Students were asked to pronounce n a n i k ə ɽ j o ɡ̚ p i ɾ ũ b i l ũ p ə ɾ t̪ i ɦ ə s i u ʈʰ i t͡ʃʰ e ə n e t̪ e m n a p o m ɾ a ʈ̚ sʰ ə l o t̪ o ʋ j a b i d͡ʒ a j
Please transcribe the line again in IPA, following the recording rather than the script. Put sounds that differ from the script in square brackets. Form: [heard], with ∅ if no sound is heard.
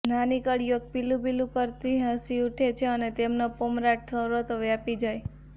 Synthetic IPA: n a n i k ə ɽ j o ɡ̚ p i [l] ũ b i l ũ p ə ɾ t̪ i ɦ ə s i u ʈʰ [e] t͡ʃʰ e ə n e t̪ e m n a p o m ɾ a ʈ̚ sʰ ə [ɾ] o t̪ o ʋ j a [p] i d͡ʒ a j